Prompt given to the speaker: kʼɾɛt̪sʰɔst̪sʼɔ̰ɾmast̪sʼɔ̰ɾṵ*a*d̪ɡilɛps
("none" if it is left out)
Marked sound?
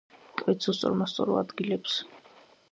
a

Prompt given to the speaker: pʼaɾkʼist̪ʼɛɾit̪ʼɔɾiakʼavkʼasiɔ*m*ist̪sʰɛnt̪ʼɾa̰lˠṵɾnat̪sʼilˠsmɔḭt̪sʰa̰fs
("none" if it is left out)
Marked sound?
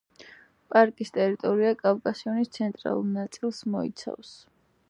n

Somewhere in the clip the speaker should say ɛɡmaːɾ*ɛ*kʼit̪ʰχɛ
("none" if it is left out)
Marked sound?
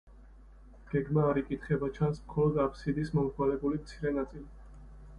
i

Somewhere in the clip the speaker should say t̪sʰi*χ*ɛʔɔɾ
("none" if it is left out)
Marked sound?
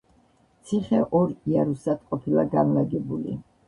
χ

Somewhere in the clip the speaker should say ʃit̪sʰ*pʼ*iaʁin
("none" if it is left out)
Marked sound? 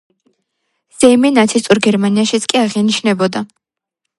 kʼ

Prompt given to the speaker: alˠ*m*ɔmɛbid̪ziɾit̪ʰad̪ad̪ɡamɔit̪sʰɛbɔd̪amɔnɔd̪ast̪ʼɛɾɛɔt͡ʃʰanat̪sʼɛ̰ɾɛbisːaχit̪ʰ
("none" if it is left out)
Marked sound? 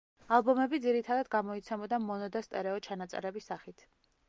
b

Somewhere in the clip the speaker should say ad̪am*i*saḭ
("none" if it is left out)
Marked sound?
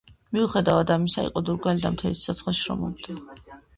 i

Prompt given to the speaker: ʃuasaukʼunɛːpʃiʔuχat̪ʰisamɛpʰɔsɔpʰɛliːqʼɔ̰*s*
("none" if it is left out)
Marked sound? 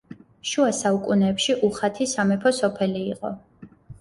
none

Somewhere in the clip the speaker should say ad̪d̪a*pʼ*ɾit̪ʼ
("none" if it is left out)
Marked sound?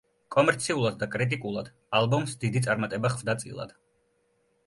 kʼ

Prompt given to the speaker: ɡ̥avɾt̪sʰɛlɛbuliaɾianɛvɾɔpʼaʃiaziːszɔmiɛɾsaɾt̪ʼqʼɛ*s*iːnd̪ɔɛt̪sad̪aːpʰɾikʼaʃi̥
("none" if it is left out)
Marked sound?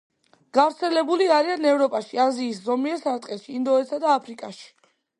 ʃ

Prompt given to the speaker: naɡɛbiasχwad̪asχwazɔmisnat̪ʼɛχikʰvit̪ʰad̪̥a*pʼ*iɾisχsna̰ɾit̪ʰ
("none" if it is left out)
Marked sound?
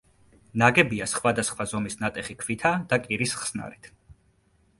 kʼ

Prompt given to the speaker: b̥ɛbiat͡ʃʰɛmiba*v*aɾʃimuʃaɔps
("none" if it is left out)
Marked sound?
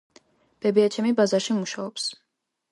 z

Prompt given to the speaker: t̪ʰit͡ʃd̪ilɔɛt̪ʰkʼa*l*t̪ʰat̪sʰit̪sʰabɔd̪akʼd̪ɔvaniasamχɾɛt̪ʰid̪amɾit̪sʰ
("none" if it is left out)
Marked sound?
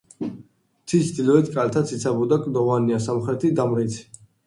l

